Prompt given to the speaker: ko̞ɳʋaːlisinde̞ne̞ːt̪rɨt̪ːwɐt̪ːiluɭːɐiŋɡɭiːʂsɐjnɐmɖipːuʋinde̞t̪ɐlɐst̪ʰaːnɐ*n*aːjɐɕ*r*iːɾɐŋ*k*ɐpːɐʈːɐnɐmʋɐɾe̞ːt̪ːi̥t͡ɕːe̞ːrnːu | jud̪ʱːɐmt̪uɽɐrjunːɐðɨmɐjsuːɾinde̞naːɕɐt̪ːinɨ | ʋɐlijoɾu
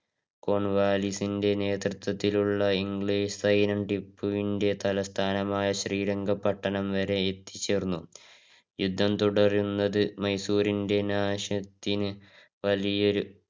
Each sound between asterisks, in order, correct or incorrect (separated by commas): incorrect, correct, incorrect